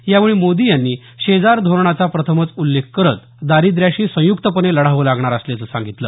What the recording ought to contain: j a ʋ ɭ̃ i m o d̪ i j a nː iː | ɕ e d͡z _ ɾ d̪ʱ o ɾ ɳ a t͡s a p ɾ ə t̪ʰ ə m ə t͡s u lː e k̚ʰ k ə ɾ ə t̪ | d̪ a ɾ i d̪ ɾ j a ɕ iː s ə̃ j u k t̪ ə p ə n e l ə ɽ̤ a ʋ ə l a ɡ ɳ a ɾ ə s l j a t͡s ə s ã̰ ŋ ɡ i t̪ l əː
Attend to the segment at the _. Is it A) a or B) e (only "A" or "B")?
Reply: A